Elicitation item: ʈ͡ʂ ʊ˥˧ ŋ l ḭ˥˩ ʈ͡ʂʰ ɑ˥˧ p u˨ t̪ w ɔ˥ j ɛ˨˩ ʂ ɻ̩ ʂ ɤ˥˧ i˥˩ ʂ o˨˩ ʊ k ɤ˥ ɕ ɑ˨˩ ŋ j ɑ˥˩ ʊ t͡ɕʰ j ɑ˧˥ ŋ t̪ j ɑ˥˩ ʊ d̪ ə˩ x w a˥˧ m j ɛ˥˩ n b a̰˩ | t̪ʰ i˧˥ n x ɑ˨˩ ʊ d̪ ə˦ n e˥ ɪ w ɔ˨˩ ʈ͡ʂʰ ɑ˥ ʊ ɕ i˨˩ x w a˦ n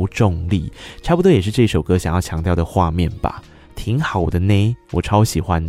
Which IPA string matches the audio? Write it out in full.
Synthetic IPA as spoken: ʈ͡ʂ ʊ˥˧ ŋ l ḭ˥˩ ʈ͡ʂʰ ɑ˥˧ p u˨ t̪ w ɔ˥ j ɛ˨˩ ʂ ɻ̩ ʈ͡ʂ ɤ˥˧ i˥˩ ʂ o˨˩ ʊ k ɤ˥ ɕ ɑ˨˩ ŋ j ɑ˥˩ ʊ t͡ɕʰ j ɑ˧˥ ŋ t̪ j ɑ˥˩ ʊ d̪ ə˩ x w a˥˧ m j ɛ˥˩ n b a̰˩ | t̪ʰ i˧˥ ŋ x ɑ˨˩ ʊ d̪ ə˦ n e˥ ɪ w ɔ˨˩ ʈ͡ʂʰ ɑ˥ ʊ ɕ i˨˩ x w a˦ n